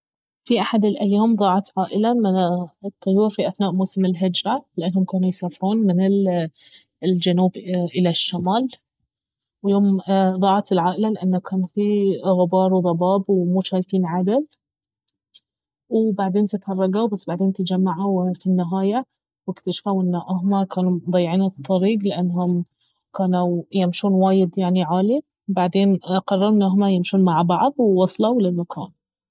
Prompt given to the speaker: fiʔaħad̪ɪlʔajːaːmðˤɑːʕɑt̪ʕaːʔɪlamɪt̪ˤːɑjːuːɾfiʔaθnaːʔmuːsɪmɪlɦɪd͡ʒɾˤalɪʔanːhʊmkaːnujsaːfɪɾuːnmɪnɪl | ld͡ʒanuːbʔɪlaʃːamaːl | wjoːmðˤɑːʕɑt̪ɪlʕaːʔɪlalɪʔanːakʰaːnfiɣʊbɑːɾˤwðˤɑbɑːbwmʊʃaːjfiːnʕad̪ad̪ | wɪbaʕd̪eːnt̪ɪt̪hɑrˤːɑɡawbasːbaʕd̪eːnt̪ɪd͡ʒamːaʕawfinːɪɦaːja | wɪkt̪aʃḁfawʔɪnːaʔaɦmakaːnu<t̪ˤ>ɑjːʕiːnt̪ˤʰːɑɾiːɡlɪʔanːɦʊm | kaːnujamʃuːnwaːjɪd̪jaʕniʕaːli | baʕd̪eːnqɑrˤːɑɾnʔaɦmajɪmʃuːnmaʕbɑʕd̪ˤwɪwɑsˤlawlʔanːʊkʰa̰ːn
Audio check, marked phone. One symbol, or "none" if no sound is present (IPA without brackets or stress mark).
d̪ˤ